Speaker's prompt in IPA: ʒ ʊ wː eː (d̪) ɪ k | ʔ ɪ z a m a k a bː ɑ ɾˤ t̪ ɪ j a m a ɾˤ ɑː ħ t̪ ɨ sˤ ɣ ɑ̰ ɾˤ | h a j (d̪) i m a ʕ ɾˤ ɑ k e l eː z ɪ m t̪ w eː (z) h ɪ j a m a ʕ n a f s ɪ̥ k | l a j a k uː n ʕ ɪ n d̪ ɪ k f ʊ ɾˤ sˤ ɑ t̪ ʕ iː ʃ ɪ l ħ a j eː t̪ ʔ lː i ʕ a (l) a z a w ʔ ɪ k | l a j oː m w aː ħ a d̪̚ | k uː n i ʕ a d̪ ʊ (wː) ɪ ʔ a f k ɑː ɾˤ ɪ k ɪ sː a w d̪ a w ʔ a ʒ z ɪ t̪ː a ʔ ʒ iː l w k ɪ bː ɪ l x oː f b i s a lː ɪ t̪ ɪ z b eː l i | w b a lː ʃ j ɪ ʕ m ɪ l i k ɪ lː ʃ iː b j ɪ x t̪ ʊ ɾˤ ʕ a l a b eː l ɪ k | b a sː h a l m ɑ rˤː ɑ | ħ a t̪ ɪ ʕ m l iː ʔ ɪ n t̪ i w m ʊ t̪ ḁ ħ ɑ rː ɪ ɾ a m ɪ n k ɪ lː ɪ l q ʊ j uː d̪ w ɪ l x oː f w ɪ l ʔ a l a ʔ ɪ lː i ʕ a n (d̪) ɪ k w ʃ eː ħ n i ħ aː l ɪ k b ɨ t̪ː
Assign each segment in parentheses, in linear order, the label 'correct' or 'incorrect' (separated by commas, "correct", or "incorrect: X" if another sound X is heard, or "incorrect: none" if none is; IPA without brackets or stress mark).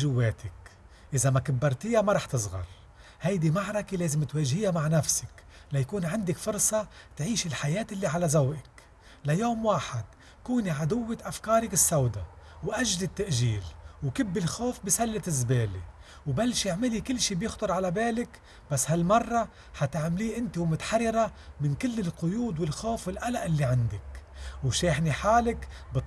incorrect: t̪, correct, incorrect: ʒ, correct, correct, correct